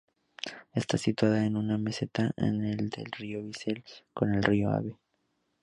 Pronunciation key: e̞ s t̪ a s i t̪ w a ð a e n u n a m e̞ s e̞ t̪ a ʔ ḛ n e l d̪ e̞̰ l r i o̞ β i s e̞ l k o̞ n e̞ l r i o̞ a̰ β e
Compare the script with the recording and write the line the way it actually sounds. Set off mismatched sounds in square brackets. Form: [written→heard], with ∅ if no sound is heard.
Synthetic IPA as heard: e̞ s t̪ a s i t̪ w a ð a e n u n a m e̞ s e̞ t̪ a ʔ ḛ n e l d̪ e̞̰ l r i o̞ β i s e̞ l k o̞ n e̞ l r i o̞ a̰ β e

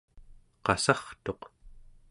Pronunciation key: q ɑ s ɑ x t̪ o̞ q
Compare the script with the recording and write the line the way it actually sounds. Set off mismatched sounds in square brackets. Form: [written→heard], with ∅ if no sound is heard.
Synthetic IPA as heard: q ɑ s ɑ [x→χ] t̪ o̞ q

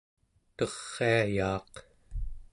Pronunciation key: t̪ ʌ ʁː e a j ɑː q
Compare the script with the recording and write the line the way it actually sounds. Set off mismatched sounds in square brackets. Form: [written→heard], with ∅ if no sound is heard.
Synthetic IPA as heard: t̪ ʌ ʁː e a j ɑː q

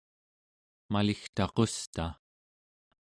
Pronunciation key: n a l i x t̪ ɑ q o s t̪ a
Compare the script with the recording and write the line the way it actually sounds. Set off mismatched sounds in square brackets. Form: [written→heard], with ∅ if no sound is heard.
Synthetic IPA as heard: [n→m] a l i x t̪ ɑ q o s t̪ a

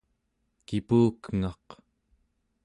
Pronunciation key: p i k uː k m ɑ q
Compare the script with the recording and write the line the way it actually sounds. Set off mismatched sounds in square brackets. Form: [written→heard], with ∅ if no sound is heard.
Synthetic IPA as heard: [p→k] i [k→p] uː k [m→ŋ] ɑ q

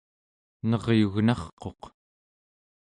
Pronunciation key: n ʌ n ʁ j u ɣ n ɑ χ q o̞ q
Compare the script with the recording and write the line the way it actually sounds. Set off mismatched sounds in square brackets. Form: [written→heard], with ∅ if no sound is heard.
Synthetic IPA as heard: n ʌ [n→∅] ʁ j u ɣ n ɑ χ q o̞ q

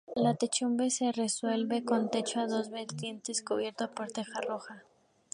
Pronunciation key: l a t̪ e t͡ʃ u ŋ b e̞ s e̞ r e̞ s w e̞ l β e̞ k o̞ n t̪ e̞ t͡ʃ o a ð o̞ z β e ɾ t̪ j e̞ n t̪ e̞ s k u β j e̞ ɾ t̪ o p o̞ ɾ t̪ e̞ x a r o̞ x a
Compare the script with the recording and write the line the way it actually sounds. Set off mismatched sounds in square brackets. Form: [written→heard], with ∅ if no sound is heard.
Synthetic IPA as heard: l a t̪ e t͡ʃ u [ŋ→m] b e̞ s e̞ r e̞ s w e̞ l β e̞ k o̞ n t̪ e̞ t͡ʃ o a ð o̞ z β e ɾ t̪ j e̞ n t̪ e̞ s k u β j e̞ ɾ t̪ o p o̞ ɾ t̪ e̞ x a r o̞ x a

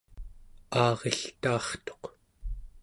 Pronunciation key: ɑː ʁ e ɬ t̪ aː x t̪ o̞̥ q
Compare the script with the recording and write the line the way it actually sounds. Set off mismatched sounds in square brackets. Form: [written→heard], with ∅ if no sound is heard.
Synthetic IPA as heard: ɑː ʁ e ɬ t̪ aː [x→χ] t̪ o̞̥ q

